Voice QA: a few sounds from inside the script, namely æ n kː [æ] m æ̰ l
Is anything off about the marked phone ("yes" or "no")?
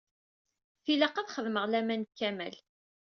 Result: no